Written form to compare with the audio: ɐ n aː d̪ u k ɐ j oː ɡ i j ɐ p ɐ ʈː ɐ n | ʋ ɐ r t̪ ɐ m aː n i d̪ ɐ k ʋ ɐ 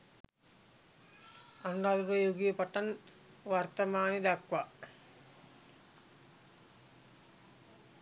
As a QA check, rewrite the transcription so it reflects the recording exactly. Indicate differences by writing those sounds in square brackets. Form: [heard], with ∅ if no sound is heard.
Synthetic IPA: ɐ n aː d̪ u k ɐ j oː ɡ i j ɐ p ɐ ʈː ɐ n | ʋ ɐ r t̪ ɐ m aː n i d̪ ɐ k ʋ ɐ